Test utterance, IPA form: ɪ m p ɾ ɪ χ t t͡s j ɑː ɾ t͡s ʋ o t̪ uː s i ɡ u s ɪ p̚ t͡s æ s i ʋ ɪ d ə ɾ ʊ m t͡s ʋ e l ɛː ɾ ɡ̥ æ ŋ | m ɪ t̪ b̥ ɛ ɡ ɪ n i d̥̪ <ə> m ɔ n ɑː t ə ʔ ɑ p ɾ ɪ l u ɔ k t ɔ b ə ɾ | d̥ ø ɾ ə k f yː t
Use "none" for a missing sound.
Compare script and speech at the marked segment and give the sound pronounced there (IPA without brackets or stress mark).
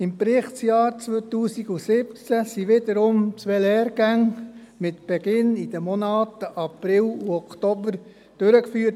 ə